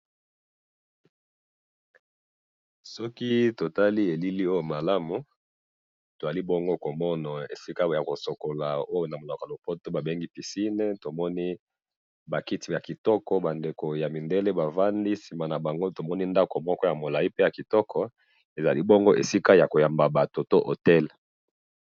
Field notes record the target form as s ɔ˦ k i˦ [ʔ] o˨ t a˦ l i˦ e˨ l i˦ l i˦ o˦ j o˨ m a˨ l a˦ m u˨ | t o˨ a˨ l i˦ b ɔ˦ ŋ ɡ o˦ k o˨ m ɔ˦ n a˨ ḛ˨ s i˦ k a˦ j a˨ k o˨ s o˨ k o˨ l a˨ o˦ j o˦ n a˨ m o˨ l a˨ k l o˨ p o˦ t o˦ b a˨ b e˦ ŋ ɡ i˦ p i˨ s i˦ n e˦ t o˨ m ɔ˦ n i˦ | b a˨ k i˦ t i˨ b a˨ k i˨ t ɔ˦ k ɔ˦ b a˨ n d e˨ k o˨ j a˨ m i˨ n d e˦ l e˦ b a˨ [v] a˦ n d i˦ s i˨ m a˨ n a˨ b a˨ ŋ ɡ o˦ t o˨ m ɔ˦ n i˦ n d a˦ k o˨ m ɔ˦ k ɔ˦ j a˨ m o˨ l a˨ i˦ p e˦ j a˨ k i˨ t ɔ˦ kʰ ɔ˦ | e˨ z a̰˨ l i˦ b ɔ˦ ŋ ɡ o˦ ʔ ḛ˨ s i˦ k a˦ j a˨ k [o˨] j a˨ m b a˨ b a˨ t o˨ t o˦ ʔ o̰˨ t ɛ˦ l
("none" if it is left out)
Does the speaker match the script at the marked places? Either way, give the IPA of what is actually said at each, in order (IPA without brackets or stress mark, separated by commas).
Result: t, v, o˨